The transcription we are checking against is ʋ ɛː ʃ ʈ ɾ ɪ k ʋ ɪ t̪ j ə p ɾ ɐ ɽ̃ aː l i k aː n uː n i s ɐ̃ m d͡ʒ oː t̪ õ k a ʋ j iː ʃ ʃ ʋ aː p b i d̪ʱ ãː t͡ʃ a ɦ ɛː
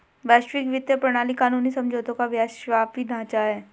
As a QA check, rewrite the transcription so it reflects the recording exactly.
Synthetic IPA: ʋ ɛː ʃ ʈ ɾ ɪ k ʋ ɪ t̪ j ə p ɾ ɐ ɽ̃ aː l i k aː n uː n i s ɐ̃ m d͡ʒ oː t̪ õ k a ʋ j aː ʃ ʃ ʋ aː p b i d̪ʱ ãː t͡ʃ a ɦ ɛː